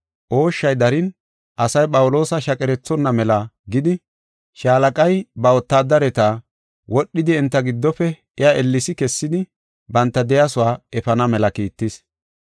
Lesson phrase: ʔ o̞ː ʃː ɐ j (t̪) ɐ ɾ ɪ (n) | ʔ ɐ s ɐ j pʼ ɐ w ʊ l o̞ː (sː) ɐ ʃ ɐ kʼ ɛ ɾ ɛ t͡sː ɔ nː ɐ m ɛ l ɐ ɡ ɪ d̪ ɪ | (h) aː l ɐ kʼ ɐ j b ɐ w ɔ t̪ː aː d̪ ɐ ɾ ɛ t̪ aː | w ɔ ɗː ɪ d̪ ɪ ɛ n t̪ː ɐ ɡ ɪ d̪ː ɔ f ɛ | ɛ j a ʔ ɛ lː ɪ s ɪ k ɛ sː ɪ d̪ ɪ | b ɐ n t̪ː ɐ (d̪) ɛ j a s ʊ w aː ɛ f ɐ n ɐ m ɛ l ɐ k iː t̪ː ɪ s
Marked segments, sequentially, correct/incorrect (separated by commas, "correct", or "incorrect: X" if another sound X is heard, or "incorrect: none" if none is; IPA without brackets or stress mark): incorrect: d̪, correct, incorrect: s, incorrect: ʃ, correct